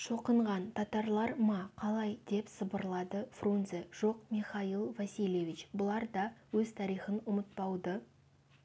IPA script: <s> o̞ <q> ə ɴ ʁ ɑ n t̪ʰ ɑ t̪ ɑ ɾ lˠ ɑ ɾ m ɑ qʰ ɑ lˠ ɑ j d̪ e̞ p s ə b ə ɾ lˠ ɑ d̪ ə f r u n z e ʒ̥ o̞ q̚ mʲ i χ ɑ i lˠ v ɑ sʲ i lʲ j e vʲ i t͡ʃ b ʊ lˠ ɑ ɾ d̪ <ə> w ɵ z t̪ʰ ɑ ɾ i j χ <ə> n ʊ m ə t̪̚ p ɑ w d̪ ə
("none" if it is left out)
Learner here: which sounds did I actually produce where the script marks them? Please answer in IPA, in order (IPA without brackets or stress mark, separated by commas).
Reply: ʃ, q, ɑ, ə